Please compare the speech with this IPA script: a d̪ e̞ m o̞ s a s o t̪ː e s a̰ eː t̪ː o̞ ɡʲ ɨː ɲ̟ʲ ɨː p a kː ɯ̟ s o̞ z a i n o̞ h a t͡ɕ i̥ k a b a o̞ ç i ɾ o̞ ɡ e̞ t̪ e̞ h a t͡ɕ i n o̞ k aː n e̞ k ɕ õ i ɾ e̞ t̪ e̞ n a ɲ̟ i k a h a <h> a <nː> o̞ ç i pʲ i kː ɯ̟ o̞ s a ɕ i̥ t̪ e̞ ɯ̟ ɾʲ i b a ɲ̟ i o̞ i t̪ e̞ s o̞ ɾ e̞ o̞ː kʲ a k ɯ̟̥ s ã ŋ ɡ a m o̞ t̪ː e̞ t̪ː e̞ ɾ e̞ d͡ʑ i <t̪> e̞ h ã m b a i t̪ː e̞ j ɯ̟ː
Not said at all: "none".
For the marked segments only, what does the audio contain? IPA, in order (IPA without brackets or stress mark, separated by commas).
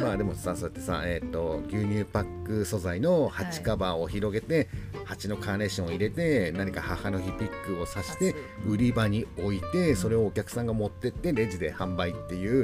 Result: h, n, d̪